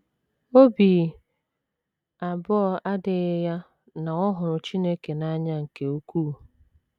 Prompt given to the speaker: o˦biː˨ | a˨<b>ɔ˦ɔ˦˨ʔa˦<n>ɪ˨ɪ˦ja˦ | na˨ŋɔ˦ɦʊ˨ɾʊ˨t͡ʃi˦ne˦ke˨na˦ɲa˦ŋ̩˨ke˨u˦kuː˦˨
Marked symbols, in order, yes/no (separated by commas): yes, no